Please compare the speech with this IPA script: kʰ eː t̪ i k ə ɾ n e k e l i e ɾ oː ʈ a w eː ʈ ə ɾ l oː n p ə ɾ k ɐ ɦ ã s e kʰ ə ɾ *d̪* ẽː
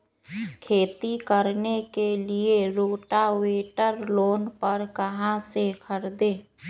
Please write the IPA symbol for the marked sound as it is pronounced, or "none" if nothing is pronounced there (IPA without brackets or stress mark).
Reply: d̪